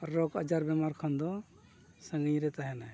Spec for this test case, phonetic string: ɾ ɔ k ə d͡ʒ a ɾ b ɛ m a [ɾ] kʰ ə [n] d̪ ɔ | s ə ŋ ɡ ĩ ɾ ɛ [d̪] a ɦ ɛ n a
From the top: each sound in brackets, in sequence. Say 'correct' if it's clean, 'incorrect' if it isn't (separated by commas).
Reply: correct, correct, incorrect